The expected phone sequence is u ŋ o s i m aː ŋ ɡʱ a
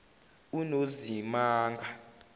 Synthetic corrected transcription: u n o z i m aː ŋ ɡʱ a